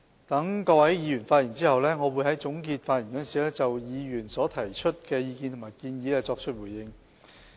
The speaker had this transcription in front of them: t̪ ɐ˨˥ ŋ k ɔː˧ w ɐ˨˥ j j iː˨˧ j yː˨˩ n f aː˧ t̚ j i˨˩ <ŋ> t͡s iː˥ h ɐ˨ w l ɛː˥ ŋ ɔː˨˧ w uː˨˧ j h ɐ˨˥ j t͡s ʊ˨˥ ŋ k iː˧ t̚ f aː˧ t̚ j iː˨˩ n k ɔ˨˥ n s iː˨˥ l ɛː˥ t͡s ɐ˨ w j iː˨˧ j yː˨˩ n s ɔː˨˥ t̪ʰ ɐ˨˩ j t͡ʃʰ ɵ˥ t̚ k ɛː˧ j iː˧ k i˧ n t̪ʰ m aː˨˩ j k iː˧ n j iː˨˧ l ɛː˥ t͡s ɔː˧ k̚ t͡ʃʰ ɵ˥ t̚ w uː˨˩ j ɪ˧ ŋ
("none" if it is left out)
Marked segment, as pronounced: n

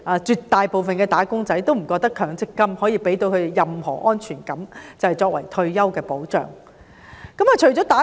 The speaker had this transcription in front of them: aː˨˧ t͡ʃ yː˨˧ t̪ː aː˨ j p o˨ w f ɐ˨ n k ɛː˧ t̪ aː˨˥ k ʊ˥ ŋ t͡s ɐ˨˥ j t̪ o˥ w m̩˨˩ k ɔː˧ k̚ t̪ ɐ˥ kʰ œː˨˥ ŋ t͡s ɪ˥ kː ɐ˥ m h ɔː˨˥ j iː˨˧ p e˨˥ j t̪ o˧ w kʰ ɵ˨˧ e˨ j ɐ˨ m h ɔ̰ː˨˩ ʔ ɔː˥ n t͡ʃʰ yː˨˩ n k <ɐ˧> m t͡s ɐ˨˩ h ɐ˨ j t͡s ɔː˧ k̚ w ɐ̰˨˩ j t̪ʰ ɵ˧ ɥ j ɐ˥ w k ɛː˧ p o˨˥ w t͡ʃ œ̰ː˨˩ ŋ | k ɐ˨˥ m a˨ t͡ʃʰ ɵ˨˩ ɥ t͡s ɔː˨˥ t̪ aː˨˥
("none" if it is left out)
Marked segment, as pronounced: ɐ˨˥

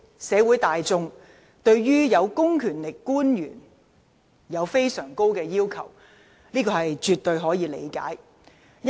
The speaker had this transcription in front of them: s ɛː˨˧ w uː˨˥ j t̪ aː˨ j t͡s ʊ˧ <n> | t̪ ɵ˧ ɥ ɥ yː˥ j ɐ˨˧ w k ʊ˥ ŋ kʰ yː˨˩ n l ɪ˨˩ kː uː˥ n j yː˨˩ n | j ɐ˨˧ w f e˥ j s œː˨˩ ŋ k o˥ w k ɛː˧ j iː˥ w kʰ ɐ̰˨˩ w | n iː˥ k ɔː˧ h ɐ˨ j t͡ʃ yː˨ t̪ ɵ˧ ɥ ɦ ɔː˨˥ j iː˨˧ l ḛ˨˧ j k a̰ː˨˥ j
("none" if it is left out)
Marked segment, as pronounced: ŋ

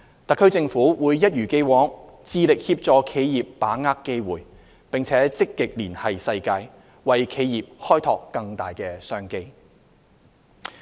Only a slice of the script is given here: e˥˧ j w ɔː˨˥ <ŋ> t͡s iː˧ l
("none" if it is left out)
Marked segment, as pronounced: ŋ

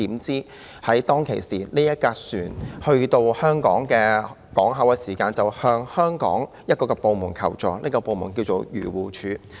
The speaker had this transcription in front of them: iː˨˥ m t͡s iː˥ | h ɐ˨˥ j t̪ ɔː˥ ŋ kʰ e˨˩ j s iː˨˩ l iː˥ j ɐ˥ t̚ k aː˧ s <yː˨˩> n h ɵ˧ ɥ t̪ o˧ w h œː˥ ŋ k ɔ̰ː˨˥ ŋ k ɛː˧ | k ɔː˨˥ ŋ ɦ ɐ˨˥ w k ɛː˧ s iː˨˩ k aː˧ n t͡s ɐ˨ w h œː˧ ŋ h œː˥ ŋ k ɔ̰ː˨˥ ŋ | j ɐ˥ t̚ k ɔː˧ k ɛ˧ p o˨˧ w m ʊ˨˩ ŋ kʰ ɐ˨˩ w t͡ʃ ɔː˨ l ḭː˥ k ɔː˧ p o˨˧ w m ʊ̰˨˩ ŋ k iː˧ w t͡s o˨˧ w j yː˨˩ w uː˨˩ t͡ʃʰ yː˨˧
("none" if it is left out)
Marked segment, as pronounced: yː˨˩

